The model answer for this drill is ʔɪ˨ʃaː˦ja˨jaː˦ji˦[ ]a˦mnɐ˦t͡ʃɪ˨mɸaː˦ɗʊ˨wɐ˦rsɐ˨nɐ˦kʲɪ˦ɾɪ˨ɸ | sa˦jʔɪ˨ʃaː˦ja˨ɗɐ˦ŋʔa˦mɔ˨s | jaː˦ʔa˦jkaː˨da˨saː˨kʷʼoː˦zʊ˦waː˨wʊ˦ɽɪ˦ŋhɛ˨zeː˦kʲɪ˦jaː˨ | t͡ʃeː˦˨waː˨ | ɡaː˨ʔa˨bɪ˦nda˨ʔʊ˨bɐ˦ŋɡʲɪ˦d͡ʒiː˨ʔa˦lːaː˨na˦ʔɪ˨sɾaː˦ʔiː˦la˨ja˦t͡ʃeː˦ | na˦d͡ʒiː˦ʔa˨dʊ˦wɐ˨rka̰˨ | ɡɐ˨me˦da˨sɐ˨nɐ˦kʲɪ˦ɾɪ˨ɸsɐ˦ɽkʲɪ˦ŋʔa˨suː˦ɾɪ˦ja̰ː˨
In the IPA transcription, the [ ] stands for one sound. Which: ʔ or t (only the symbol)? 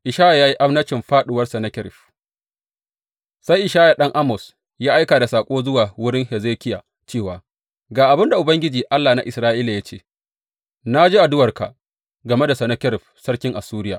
ʔ